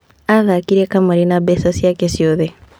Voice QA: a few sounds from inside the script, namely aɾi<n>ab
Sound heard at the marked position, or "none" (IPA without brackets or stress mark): n